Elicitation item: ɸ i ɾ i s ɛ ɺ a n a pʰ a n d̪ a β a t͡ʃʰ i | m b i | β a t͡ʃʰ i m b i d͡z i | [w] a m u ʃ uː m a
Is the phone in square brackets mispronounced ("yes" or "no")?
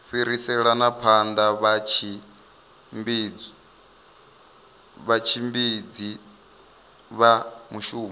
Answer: yes